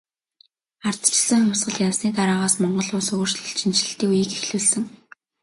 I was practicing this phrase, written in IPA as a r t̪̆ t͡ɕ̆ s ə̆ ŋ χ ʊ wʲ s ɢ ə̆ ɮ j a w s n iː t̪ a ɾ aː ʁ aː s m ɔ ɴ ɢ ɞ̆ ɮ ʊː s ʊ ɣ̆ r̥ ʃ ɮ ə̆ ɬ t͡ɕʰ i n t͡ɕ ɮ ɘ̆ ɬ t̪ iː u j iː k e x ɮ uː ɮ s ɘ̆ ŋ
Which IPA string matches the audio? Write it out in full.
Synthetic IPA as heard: a r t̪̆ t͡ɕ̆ s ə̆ ŋ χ ʊ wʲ s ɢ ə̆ ɮ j a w s n iː t̪ a ɾ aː ʁ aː s m ɔ ɴ ɢ ɞ̆ ɮ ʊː s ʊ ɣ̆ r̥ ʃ ɮ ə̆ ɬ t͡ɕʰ i n t͡ɕ ɮ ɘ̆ ɬ t̪ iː u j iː k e x ɮ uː ɮ s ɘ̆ ŋ